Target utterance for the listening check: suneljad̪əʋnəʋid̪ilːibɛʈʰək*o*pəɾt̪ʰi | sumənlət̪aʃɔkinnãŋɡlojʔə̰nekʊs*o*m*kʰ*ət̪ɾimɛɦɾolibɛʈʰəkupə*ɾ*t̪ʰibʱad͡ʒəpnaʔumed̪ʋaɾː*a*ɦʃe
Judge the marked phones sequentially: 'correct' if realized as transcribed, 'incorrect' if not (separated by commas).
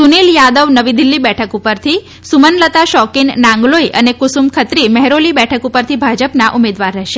incorrect, incorrect, correct, correct, incorrect